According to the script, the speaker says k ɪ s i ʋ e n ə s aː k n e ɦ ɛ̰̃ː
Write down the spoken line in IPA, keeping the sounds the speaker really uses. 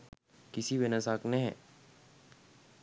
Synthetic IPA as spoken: k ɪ s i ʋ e n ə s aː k n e ɦ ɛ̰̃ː